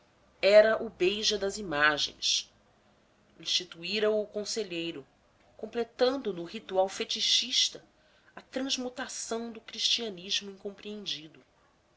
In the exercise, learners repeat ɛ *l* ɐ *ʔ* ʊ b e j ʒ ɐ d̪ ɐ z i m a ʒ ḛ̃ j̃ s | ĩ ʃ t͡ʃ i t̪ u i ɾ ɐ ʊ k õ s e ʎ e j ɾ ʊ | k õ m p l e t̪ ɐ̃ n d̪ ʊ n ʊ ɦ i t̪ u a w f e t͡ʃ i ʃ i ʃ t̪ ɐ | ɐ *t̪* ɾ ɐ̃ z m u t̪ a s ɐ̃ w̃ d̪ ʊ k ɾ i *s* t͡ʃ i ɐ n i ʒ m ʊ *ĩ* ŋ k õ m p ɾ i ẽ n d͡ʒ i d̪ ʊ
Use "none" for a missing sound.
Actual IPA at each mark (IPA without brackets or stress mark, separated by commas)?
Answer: ɾ, ʔ, t̪, ʃ, ĩ